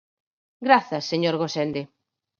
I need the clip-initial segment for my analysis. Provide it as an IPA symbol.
ɡ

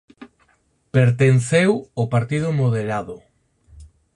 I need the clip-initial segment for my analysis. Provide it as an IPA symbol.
p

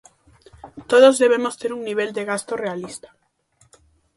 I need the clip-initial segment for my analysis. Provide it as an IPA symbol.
t̪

